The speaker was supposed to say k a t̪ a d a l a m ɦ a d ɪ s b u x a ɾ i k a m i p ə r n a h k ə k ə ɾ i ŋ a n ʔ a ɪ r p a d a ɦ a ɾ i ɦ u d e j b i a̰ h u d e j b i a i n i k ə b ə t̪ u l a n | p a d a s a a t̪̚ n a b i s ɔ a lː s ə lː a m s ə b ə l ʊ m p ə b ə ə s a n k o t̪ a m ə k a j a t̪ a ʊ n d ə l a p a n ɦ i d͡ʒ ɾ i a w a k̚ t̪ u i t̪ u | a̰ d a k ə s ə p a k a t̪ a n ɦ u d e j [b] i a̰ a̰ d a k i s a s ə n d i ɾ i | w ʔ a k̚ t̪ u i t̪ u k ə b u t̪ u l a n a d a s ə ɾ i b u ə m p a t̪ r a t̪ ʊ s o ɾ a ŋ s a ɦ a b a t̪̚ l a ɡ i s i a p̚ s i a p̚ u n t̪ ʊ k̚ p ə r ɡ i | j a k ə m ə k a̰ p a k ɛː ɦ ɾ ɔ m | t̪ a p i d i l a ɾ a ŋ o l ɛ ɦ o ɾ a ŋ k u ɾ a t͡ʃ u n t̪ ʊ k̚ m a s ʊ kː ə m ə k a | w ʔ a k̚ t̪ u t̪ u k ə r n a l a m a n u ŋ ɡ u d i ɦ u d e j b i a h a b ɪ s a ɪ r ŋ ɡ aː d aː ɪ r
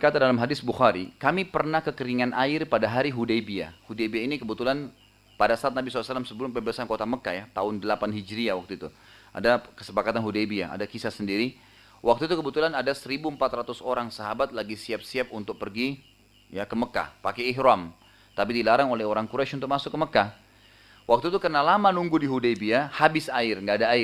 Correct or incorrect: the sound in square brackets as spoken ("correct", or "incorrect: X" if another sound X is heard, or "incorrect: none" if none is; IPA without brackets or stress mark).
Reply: correct